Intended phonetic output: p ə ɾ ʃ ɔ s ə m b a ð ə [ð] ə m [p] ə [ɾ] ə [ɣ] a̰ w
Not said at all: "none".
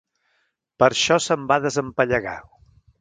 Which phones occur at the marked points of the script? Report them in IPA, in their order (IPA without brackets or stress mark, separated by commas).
z, p, ʎ, ɣ